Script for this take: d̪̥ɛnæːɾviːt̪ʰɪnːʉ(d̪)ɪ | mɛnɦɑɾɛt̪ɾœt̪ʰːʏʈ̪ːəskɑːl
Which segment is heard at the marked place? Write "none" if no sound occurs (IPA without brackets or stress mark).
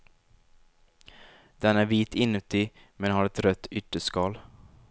t̪